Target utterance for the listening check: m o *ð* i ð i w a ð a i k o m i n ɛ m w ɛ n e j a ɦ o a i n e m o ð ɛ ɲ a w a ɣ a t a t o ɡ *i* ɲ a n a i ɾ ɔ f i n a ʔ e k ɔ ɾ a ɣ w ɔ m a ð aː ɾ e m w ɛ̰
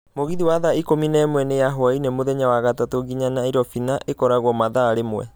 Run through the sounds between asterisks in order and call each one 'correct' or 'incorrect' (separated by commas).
incorrect, correct